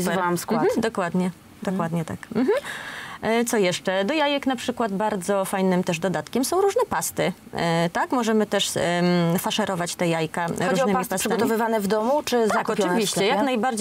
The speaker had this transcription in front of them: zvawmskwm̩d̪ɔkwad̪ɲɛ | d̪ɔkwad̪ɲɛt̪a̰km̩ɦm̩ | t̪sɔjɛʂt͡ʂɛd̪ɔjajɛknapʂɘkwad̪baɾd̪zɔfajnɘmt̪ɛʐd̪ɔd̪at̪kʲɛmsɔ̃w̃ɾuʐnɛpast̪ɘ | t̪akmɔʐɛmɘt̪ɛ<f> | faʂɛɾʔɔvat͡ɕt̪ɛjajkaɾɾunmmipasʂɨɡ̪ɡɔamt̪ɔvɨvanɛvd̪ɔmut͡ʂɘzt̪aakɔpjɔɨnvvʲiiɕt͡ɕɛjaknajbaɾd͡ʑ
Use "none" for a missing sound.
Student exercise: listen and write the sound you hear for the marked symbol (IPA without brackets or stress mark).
ʂ